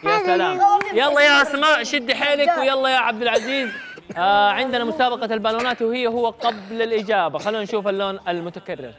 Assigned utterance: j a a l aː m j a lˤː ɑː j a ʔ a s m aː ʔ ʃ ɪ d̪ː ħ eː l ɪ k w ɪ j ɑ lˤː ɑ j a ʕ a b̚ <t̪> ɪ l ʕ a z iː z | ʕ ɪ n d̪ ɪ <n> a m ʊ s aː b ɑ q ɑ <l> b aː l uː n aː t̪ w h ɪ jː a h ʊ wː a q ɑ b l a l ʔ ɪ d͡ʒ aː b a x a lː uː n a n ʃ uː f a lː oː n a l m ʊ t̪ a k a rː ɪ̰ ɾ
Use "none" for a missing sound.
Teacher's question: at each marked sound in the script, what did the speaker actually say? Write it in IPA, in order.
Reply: d̪, n, l

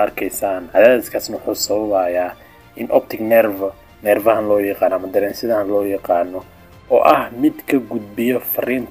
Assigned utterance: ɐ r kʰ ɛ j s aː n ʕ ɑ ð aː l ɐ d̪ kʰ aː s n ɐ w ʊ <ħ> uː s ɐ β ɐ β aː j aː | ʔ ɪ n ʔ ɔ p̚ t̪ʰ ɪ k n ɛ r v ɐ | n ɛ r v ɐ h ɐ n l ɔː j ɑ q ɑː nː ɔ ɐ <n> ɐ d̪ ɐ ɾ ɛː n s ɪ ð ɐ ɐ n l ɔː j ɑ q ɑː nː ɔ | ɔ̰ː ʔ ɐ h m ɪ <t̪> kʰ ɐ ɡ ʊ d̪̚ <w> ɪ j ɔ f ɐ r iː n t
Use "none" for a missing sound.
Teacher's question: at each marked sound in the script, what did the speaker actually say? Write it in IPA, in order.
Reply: ħ, m, d̪, b

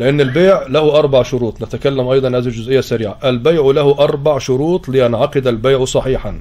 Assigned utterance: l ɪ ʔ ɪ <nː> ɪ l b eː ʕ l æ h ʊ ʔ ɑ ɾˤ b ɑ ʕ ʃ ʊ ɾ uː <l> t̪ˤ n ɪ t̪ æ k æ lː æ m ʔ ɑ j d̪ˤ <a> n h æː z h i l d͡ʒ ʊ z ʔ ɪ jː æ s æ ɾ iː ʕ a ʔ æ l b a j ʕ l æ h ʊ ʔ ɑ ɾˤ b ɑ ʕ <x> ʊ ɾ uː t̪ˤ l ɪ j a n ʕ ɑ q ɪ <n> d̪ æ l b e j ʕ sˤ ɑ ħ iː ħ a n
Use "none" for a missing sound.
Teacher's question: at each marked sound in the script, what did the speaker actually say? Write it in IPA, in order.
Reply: nː, none, ɑ, ʃ, none

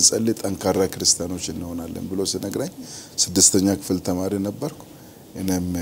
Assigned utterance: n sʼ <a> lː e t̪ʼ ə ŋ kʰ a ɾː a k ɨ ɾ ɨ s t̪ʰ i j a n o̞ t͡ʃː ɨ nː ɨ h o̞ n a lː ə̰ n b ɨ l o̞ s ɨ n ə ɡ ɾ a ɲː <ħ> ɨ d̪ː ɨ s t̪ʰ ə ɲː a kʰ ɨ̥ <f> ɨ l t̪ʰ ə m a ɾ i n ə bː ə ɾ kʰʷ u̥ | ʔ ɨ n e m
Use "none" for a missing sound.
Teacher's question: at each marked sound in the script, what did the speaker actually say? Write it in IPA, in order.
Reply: ə, s, f

